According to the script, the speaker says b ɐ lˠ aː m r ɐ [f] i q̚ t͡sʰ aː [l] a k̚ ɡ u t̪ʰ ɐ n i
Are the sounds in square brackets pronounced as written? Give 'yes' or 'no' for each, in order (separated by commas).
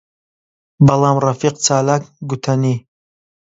yes, yes